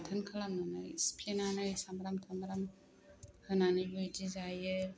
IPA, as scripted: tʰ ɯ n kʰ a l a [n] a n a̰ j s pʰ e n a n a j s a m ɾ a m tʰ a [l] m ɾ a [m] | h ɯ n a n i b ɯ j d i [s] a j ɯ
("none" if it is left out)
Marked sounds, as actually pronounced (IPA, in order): ŋ, none, m, z

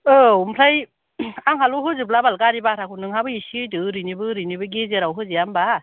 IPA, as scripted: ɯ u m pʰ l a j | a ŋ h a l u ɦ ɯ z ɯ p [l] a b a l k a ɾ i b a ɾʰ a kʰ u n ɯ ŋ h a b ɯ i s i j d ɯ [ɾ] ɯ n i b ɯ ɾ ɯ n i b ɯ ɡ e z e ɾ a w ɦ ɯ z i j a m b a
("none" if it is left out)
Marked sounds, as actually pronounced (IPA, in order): l, ɾ

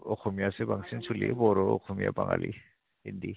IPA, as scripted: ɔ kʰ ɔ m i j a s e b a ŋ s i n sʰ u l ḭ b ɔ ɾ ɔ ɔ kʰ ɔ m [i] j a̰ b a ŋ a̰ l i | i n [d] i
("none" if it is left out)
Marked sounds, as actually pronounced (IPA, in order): i, d

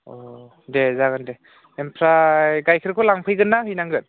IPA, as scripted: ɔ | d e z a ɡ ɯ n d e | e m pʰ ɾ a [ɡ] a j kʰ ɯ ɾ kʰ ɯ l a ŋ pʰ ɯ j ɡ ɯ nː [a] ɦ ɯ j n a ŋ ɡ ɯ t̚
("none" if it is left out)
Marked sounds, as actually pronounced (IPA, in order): ɡ, a

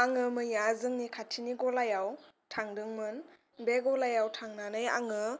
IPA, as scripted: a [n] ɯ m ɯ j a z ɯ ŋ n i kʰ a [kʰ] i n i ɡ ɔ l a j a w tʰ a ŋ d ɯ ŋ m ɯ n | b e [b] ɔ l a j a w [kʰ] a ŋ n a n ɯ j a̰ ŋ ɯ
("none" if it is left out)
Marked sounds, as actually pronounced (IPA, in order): ŋ, tʰ, ɡ, tʰ

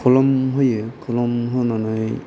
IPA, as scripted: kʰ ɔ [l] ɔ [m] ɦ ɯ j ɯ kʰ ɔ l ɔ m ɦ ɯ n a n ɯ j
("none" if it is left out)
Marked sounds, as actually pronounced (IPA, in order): l, m

